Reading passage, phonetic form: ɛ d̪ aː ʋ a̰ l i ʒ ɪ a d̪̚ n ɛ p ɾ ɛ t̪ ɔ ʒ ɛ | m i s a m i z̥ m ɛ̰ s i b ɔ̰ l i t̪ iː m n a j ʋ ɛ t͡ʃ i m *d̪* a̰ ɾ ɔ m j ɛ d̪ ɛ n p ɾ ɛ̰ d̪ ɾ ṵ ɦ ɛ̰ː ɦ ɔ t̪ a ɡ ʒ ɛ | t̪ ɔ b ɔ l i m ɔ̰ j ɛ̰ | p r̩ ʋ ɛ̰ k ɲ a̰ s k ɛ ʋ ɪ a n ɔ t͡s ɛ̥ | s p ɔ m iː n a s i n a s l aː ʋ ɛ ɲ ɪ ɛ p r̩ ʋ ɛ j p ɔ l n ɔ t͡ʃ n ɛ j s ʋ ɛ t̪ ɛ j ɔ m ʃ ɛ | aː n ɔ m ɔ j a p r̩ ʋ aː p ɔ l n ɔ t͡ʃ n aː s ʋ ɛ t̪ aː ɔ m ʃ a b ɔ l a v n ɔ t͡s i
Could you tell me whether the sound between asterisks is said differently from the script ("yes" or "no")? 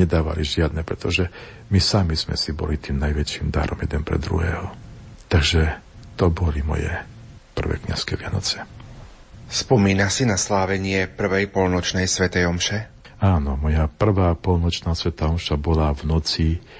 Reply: no